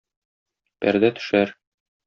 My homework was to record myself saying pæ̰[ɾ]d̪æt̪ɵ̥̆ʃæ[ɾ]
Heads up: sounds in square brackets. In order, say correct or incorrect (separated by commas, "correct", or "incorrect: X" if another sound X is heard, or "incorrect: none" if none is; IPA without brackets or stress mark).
correct, correct